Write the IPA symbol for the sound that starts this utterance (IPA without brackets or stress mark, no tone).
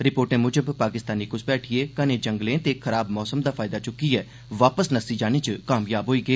ɾ